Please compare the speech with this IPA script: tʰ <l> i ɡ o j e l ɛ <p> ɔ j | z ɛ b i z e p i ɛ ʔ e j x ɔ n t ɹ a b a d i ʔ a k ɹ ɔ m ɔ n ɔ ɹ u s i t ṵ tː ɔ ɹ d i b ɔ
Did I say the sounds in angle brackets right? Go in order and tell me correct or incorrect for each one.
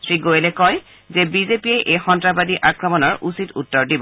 incorrect: ɹ, incorrect: k

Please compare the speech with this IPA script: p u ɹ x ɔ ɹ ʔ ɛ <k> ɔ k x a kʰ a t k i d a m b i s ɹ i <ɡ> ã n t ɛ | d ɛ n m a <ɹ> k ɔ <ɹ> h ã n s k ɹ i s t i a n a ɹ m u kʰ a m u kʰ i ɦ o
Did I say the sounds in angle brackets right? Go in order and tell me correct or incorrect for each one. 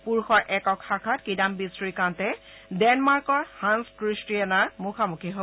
correct, incorrect: k, correct, correct

